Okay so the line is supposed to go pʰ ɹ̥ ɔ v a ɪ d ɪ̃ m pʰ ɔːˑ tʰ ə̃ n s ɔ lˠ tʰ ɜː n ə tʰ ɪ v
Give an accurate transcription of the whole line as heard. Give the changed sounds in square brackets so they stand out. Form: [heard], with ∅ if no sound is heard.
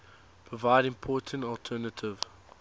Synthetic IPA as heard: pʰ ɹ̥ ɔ v a ɪ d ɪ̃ m pʰ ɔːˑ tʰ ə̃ n [t] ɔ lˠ tʰ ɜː n ə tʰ ɪ v